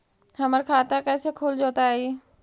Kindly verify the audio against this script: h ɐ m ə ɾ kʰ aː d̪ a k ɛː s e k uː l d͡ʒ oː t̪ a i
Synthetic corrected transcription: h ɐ m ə ɾ kʰ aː t̪ a k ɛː s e kʰ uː l d͡ʒ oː t̪ a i

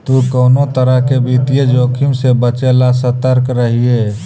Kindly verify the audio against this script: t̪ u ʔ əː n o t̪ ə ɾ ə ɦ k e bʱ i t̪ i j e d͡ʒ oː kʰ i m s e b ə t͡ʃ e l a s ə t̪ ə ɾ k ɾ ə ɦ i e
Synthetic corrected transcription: t̪ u k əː n o t̪ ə ɾ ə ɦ k e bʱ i t̪ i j e d͡ʒ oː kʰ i m s e b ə t͡ʃ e l a s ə t̪ ə ɾ k ɾ ə ɦ i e

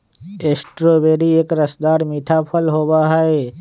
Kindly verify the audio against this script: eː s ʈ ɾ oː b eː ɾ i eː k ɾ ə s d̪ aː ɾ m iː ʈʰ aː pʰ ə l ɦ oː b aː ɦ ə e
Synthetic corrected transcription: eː s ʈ ɾ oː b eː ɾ i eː k ɾ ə s d̪ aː ɾ m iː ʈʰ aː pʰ ə l ɦ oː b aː ɦ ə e

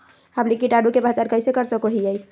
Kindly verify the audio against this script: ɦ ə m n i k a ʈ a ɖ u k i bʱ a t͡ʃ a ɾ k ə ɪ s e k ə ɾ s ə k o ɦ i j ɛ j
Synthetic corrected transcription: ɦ ə m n i k i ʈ a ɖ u k e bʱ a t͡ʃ a ɾ k ə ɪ s e k ə ɾ s ə k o ɦ i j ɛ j

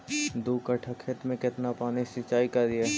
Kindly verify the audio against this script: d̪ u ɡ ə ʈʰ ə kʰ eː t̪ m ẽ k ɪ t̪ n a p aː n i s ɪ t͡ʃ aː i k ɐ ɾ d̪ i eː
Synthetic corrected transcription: d̪ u k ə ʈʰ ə kʰ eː t̪ m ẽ k ɪ t̪ n a p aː n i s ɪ t͡ʃ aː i k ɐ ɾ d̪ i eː

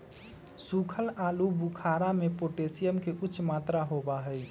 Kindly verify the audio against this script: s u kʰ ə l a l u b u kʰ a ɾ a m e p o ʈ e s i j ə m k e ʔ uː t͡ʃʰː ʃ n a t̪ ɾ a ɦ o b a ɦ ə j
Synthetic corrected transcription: s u kʰ ə l a l u b u kʰ a ɾ a m e p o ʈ e s i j ə m k e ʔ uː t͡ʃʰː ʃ m a t̪ ɾ a ɦ o b a ɦ ə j

